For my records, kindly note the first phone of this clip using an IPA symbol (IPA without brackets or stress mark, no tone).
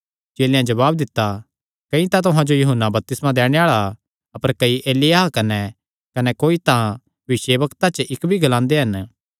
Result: t͡ʃ